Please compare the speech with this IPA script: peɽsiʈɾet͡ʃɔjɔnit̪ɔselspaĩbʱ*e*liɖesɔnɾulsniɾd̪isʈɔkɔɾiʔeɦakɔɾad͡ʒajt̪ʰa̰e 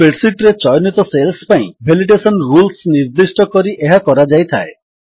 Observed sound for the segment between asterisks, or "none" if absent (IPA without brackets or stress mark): e